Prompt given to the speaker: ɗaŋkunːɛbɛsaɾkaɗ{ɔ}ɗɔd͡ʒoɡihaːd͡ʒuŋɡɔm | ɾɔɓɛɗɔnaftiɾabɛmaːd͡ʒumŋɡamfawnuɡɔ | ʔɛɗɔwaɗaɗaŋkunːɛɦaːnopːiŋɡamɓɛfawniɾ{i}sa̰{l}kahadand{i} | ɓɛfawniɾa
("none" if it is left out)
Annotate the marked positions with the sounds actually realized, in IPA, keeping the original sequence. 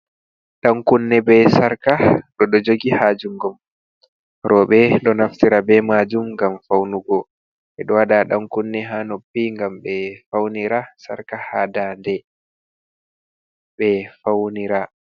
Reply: ɔ, a, ɾ, ɛ

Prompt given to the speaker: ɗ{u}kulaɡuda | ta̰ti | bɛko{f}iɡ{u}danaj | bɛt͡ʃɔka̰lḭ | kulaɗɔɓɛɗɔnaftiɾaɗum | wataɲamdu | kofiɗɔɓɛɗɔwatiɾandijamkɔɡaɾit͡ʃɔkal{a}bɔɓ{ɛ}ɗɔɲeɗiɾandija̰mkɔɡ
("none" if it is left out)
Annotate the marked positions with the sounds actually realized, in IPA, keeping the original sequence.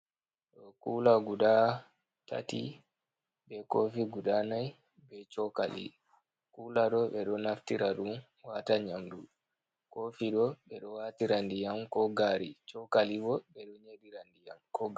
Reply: ɔ, f, u, i, ɛ

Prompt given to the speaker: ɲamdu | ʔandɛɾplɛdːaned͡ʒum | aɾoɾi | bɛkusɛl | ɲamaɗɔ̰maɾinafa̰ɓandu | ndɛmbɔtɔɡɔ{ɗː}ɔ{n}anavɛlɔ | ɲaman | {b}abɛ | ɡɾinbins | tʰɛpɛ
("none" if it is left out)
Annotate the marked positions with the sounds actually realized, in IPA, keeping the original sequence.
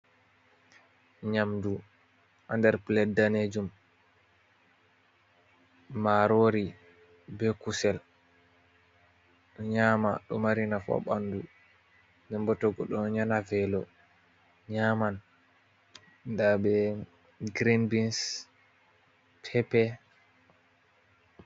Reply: ɗ, ɲ, d

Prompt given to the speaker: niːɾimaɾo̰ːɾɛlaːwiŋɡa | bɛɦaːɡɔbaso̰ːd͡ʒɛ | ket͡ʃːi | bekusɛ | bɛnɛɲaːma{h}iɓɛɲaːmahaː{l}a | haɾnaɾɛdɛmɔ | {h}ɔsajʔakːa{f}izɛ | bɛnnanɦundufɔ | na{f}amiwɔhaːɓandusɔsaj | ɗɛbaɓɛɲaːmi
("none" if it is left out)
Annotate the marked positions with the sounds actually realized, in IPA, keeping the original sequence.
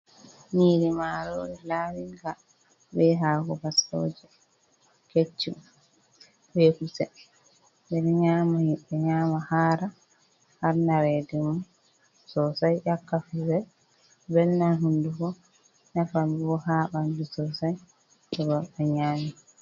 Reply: h, ɾ, s, f, f

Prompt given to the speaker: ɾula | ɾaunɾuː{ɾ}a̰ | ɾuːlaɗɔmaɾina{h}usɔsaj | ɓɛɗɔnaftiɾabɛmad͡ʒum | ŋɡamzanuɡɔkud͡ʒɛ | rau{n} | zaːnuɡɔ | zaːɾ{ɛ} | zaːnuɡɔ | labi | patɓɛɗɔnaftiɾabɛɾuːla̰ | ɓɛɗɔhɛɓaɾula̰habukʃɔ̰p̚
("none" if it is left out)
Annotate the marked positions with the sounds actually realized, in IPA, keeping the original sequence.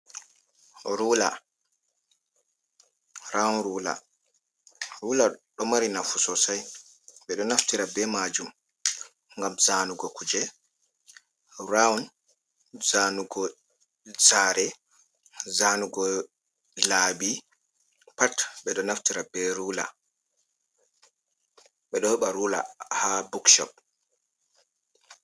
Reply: l, f, n, ɛ

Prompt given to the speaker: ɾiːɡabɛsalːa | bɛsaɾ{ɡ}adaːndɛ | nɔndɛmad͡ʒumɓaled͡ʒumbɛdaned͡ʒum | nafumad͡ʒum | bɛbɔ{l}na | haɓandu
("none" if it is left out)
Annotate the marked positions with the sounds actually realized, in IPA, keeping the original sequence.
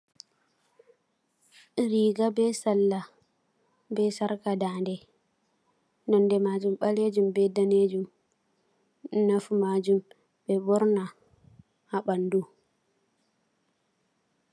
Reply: k, ɾ

